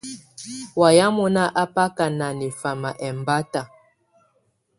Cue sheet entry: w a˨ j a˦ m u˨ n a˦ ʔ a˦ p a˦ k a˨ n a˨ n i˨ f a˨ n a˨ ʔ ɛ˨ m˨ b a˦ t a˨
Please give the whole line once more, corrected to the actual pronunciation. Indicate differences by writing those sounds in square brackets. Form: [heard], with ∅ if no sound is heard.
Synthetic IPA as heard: w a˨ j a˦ m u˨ n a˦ ʔ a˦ p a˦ k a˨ n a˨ n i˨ f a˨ [m] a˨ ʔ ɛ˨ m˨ b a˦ t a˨